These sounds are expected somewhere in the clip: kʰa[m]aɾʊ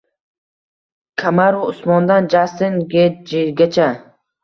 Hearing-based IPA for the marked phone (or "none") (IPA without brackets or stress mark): m